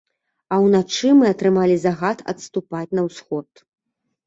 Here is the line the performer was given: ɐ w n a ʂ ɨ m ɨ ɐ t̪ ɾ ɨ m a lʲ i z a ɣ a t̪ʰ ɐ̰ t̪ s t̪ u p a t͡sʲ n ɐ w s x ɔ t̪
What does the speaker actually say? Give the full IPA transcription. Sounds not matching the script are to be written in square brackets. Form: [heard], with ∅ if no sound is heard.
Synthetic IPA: ɐ w n a [t͡ʂ] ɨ m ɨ ɐ t̪ ɾ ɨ m a lʲ i z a ɣ a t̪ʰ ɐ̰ t̪ s t̪ u p a t͡sʲ n ɐ w s x ɔ t̪